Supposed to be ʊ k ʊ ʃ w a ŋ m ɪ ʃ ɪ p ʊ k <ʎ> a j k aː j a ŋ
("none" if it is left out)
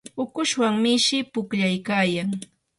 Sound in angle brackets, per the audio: ʎ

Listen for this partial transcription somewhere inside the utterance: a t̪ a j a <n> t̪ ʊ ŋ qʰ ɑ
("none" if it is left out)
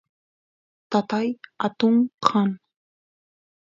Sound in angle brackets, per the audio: none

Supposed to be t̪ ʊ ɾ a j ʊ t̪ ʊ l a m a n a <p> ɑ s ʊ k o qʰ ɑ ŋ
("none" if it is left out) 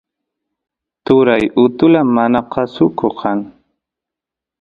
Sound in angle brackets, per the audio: q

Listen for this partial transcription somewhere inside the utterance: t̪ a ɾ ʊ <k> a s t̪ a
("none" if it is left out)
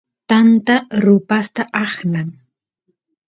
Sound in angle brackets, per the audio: p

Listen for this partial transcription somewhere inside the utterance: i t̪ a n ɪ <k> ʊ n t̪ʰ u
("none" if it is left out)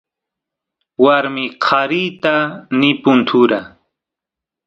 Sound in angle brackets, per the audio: p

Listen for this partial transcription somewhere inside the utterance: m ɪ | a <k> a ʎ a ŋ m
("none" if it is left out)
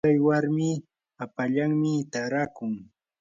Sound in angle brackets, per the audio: p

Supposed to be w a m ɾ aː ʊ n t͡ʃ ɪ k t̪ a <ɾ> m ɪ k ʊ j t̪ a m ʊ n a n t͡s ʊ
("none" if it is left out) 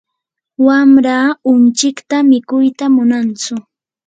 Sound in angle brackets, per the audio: none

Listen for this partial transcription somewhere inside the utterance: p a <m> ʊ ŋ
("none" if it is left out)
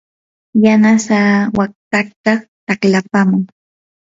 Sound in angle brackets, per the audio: m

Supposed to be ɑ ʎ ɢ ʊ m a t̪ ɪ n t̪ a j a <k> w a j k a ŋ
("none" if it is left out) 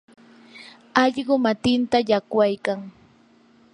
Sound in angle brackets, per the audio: k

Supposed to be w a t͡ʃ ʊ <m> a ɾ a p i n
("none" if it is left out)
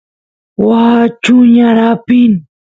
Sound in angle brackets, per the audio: ɲ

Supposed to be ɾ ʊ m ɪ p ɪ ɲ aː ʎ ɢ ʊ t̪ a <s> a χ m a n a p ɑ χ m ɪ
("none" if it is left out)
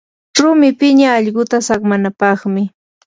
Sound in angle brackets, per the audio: s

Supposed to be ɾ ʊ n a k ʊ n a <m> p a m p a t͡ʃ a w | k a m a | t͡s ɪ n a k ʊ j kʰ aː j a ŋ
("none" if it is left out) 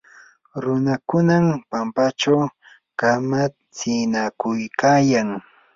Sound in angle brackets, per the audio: m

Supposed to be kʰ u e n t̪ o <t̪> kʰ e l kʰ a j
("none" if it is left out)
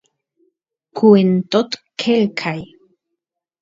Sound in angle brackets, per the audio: t̪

